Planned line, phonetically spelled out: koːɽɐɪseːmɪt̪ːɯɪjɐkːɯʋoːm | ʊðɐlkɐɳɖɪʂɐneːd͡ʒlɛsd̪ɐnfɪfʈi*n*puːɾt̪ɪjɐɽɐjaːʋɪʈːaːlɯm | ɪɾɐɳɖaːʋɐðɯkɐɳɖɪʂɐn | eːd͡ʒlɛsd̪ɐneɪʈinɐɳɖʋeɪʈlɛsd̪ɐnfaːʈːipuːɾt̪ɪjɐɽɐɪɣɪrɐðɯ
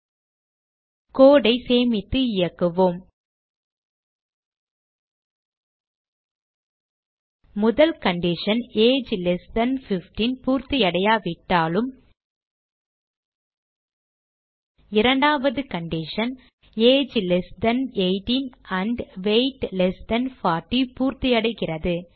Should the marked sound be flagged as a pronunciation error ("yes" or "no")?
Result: no